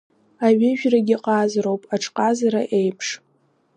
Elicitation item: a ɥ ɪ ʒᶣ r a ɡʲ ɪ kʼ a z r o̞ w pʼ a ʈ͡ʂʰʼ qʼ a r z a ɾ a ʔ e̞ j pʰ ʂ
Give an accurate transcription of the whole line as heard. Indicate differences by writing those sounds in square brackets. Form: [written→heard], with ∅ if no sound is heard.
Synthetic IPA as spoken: a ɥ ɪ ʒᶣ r a ɡʲ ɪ [kʼ→qʼ] a z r o̞ w pʼ a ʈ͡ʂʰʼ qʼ a [r→∅] z a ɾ a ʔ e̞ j pʰ ʂ